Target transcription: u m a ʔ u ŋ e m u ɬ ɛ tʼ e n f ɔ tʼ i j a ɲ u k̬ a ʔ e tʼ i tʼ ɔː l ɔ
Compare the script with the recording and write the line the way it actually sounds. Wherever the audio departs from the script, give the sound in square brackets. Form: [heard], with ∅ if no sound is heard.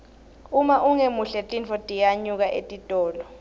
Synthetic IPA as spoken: u m a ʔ u ŋ e m u ɬ ɛ tʼ [i] n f ɔ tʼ i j a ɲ u k̬ a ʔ e tʼ i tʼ ɔː l ɔ